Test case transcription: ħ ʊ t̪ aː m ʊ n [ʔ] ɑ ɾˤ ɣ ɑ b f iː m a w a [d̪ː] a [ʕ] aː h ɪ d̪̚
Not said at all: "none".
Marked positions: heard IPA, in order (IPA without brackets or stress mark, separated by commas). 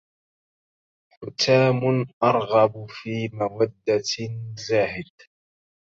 ʔ, d̪ː, z